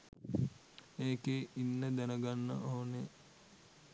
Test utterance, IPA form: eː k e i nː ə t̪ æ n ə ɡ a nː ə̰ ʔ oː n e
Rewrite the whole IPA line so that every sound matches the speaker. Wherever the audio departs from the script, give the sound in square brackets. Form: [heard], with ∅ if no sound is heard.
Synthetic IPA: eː k e i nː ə [d̪] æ n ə ɡ a nː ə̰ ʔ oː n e